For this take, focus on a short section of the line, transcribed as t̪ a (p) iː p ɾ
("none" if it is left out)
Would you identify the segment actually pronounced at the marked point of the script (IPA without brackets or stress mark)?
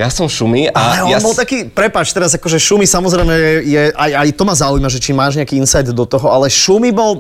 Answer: k